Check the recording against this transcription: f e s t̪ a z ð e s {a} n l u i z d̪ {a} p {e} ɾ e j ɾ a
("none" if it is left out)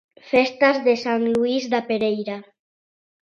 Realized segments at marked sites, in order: a, a, e

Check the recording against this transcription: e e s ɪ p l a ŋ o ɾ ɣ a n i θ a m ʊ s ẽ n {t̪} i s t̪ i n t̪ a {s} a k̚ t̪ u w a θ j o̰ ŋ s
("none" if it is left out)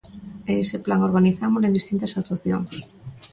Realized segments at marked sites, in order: d̪, s

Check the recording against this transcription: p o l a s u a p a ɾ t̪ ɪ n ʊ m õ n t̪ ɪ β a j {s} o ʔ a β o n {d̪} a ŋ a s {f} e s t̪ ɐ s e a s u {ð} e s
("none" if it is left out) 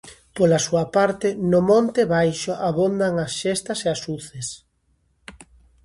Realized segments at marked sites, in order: ʃ, d̪, ʃ, θ

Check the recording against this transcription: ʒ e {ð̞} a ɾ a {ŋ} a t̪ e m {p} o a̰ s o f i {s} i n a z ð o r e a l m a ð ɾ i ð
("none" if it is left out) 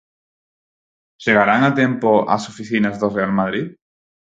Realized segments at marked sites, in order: ɣ̞, ŋ, p, θ

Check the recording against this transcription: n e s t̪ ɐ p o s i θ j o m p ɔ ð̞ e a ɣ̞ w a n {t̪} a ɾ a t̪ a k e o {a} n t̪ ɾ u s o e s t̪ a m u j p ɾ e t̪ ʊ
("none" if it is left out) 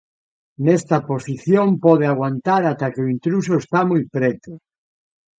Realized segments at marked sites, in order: t̪, i

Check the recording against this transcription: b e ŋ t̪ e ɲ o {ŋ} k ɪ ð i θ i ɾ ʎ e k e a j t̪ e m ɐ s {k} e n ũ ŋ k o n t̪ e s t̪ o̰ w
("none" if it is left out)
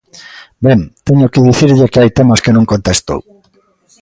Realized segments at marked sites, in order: none, k

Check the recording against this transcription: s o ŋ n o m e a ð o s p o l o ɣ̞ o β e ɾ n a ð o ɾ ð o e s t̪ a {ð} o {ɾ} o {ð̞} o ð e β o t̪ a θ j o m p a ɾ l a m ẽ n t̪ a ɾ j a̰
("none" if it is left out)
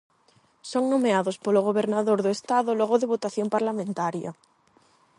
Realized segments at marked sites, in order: ð, l, ɣ̞

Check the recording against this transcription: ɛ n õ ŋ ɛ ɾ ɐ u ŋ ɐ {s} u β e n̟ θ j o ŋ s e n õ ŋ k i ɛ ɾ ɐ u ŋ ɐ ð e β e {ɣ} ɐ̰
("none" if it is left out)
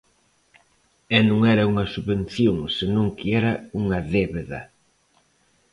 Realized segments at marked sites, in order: s, ð

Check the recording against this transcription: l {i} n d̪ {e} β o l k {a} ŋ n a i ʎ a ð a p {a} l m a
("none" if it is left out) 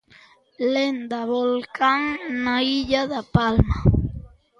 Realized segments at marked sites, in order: e, a, a, a

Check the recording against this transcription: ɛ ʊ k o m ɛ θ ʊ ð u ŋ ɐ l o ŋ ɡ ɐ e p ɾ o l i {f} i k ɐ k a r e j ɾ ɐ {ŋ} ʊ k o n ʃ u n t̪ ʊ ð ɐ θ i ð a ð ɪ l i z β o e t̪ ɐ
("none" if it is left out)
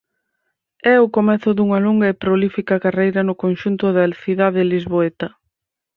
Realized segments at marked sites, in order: f, n

